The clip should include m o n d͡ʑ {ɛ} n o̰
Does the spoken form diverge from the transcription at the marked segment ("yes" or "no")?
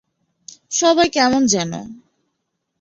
no